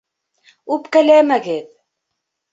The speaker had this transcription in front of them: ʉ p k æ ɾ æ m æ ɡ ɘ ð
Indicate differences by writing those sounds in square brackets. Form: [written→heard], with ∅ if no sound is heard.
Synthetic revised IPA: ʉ p k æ [ɾ→l] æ m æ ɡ ɘ ð